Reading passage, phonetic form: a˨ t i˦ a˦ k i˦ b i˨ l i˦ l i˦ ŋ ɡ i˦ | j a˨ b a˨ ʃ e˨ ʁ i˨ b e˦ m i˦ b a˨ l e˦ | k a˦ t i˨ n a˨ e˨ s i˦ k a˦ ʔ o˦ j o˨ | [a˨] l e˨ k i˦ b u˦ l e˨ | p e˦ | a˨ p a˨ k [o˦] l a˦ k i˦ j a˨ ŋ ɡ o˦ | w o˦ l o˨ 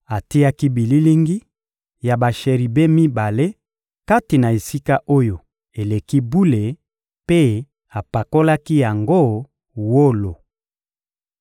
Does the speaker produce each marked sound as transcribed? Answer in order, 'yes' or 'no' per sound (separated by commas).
no, yes